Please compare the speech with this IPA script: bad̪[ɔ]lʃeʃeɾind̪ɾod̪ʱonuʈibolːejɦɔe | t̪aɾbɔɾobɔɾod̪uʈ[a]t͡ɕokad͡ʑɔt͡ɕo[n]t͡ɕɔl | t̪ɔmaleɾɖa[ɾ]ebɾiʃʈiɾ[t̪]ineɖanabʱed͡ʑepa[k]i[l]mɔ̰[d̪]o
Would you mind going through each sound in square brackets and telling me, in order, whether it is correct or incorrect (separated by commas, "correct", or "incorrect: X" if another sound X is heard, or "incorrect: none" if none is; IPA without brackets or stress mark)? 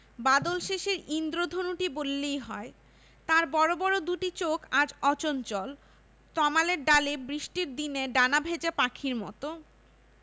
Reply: incorrect: o, incorrect: i, correct, incorrect: l, incorrect: d̪, incorrect: kʰ, incorrect: ɾ, incorrect: t̪